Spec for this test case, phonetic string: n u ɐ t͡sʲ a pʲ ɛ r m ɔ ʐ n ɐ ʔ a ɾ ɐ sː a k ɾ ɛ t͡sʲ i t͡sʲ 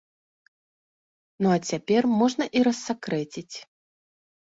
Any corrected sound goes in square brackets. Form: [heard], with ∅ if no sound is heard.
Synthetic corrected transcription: n u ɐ t͡sʲ a pʲ ɛ r m ɔ ʐ n ɐ ʔ [i] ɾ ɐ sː a k ɾ ɛ t͡sʲ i t͡sʲ